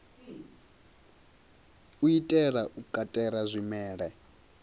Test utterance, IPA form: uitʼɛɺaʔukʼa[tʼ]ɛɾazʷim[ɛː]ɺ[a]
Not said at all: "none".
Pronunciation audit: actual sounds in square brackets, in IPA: tʼ, ɛː, ɛ

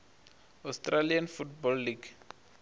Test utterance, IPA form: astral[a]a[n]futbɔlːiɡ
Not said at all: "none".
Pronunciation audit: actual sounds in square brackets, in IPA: i, n

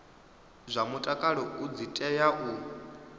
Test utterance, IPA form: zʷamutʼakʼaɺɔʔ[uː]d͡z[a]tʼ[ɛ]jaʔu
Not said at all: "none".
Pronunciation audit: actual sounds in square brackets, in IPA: u, i, ɛ

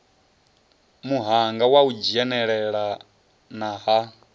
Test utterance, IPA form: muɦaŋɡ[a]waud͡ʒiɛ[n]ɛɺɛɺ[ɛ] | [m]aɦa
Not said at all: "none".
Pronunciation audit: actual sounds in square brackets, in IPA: a, n, a, n

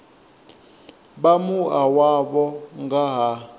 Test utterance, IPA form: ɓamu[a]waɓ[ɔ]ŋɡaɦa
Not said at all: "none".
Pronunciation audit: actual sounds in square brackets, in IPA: a, ɔ

